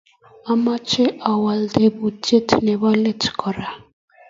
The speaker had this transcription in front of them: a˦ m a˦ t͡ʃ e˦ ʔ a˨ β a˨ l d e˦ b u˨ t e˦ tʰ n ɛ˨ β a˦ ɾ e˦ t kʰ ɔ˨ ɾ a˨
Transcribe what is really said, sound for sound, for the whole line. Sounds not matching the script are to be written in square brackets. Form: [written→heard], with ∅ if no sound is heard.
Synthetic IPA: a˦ m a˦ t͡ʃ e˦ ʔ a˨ [β→w] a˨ l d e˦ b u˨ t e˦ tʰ n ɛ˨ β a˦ [ɾ→l] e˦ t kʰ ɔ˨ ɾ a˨

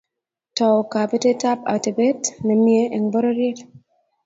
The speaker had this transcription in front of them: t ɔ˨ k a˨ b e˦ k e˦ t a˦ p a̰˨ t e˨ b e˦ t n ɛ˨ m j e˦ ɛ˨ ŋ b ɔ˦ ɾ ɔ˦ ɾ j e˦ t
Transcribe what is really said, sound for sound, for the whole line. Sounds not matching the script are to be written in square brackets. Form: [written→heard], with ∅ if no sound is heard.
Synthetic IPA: t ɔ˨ k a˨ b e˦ [k→t] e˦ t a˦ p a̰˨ t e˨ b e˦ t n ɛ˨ m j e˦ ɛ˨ ŋ b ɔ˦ ɾ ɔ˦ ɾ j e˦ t

